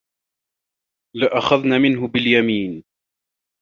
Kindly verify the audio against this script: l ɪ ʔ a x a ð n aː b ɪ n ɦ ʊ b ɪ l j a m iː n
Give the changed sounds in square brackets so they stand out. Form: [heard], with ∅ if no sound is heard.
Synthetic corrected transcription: l ɪ ʔ a x a ð n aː [m] ɪ n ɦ ʊ b ɪ l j a m iː n